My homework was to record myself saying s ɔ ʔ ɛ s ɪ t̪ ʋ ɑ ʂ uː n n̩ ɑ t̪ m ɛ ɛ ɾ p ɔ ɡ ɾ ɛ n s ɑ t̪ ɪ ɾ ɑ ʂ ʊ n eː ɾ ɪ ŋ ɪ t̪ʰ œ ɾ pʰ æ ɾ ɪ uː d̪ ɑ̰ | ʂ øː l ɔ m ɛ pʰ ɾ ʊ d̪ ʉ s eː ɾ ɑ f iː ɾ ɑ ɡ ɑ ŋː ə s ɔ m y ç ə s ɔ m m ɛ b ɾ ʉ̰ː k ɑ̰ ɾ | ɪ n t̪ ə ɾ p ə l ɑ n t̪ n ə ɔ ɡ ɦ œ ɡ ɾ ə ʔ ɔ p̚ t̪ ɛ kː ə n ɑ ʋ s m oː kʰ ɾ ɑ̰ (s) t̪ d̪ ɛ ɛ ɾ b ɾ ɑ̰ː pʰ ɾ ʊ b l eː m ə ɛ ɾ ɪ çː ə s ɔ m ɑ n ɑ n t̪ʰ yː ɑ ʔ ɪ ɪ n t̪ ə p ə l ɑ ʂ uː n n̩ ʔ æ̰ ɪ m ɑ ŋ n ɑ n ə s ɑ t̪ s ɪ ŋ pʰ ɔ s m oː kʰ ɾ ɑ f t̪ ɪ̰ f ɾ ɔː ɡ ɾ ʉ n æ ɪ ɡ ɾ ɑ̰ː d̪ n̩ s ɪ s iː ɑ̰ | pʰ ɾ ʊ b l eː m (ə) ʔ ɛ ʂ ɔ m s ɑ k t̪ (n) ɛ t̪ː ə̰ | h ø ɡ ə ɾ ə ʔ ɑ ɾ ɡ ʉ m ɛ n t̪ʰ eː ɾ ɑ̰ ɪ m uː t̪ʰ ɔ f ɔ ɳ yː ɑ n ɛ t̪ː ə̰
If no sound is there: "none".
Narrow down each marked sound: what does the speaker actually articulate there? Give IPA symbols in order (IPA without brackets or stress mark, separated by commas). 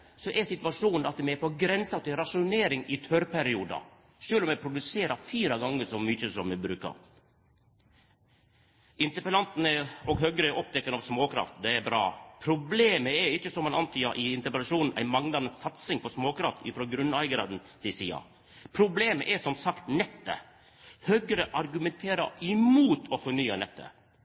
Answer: f, ə, n